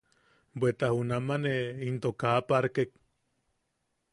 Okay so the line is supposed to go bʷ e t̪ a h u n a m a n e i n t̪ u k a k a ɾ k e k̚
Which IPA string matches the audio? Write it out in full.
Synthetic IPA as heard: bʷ e t̪ a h u n a m a n e i n t̪ o k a p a ɾ k e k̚

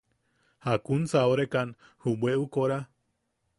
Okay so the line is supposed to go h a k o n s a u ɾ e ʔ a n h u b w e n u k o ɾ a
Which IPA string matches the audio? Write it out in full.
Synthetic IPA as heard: h a k u n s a o ɾ e k a n h u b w e u k o ɾ a

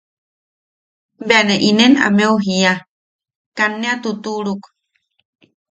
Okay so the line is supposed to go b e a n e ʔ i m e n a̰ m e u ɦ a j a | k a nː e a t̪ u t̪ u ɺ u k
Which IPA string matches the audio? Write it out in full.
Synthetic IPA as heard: b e a n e ʔ i n e n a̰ m e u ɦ i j a | k a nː e a t̪ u t̪ u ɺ u k

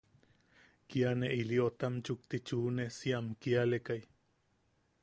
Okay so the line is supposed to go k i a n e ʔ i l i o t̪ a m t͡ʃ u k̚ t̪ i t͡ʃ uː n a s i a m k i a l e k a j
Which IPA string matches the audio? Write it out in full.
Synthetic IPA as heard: k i a n e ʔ i l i o t̪ a m t͡ʃ u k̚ t̪ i t͡ʃ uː n e s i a m k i a l e k a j

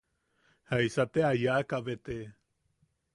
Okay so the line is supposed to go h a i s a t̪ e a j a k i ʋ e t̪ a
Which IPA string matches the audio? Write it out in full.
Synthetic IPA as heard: h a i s a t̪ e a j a k a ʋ e t̪ e

